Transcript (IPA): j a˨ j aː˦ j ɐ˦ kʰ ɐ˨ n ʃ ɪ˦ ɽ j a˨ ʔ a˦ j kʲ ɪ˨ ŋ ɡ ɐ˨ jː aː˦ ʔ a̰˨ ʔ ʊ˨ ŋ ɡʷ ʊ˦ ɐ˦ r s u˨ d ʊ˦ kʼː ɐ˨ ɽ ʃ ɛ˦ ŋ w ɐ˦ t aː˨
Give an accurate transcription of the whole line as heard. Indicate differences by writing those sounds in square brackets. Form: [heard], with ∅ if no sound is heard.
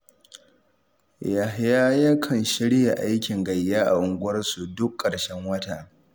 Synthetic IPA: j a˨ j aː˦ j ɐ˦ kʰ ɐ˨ n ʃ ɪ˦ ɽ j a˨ ʔ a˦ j kʲ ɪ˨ ŋ ɡ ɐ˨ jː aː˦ ʔ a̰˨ ʔ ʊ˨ ŋ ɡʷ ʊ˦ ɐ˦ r s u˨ d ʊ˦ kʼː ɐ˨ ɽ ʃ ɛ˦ ŋ w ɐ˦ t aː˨